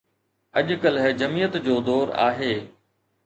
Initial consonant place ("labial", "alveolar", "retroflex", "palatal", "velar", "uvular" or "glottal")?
palatal